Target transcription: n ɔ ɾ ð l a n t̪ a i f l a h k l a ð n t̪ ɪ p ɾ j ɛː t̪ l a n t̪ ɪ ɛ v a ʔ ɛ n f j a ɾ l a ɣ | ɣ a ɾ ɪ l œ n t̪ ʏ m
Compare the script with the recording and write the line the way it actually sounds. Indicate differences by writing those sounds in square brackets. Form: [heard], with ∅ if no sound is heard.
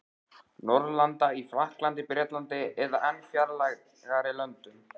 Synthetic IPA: n ɔ ɾ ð l a n t̪ a i f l a h k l a [∅] n t̪ ɪ p ɾ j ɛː t̪ l a n t̪ ɪ ɛ [ð] a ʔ ɛ n f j a ɾ l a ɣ | ɣ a ɾ ɪ l œ n t̪ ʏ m